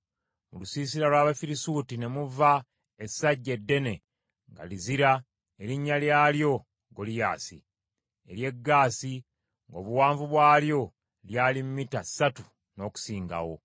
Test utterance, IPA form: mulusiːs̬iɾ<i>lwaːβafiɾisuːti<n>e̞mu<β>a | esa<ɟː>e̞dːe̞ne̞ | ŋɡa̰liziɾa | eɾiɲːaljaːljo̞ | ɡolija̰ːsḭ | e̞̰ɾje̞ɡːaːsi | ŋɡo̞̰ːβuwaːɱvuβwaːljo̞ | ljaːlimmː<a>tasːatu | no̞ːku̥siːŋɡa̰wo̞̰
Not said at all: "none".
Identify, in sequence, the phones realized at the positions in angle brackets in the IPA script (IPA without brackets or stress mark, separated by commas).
a, n, v, ɟː, i